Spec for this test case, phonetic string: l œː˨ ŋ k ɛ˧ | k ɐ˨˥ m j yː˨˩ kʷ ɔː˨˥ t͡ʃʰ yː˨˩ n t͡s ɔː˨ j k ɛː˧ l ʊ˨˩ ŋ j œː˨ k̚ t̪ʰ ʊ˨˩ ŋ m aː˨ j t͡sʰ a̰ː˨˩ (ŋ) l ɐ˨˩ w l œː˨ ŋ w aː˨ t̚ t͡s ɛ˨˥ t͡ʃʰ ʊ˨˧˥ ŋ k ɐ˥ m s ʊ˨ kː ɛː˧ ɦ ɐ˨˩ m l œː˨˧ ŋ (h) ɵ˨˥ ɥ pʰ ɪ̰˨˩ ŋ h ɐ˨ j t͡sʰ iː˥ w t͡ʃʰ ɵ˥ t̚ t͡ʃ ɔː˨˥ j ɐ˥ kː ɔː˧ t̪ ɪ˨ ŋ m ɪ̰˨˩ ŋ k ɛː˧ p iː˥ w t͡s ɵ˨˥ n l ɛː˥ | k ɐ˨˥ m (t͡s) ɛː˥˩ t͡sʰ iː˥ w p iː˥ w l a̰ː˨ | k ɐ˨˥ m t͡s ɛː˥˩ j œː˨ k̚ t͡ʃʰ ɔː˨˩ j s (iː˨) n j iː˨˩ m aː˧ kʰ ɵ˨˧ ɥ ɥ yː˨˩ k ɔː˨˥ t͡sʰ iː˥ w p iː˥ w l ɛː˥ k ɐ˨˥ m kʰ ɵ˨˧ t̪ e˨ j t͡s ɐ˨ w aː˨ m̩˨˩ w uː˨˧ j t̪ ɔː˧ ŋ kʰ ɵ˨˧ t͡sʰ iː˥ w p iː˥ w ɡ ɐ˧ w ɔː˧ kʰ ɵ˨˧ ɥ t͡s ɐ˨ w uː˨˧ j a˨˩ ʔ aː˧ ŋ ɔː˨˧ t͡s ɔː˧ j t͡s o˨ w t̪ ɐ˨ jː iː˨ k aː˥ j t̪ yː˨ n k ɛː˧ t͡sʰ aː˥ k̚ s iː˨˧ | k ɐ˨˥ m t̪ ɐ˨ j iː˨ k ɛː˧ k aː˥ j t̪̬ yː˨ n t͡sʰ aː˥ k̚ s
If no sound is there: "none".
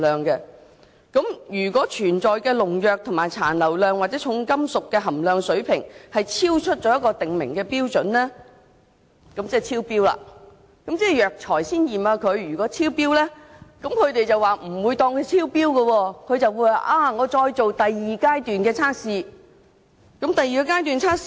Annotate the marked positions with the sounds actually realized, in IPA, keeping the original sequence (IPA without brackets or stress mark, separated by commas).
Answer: n, s, t͡s, iː˥